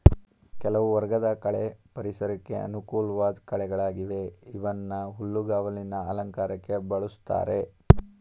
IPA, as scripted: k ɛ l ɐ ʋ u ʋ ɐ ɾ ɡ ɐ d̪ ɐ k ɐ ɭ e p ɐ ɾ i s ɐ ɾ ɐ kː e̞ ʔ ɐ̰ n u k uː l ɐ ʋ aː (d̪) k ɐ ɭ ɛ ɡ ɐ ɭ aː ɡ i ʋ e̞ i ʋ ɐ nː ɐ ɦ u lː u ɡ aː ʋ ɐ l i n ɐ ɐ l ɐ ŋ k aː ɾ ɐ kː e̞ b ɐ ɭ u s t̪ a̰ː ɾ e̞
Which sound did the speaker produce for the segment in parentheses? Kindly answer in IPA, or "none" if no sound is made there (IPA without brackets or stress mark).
d̪